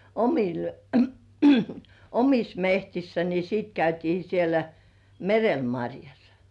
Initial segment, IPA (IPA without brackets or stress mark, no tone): o